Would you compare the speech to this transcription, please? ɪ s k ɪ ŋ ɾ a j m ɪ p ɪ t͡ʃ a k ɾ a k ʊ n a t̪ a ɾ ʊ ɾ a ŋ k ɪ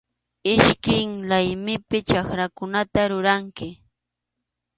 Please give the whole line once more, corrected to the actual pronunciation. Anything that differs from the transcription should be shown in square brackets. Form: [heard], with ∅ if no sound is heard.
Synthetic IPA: ɪ [ʃ] k ɪ ŋ [l] a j m ɪ p ɪ t͡ʃ a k ɾ a k ʊ n a t̪ a ɾ ʊ ɾ a ŋ k ɪ

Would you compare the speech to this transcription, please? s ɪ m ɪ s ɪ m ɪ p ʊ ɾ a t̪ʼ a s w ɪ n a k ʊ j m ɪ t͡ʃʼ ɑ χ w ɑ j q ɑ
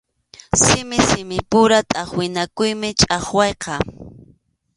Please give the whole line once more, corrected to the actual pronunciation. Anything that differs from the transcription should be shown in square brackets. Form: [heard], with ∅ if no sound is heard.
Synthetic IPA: s ɪ m ɪ s ɪ m ɪ p ʊ ɾ a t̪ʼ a [χ] w ɪ n a k ʊ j m ɪ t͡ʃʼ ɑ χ w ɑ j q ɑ

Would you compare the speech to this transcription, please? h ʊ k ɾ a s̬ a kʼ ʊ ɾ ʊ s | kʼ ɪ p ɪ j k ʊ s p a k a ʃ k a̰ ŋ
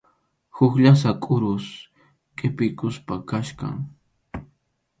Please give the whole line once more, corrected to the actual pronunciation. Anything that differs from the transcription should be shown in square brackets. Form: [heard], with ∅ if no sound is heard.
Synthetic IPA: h ʊ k [ʎ] a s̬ a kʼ ʊ ɾ ʊ s | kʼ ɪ p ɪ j k ʊ s p a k a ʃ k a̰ ŋ

